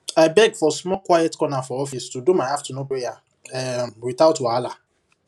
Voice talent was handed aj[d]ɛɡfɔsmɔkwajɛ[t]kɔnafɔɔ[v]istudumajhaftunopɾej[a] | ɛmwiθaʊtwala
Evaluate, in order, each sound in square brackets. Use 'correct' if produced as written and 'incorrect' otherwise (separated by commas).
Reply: incorrect, correct, incorrect, correct